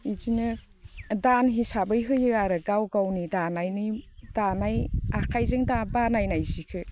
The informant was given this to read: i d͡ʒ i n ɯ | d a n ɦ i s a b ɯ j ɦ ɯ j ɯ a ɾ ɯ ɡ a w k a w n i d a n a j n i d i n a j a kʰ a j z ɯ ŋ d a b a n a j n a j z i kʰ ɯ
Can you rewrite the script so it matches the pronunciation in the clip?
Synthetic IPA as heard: i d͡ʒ i n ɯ | d a n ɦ i s a b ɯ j ɦ ɯ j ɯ a ɾ ɯ ɡ a w ɡ a w n i d a n a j n i d a n a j a kʰ a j z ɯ ŋ d a b a n a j n a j z i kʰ ɯ